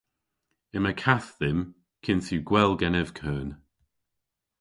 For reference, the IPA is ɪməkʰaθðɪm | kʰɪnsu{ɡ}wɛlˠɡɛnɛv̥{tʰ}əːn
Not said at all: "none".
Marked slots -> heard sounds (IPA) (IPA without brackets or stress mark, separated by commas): ɡ, kʰ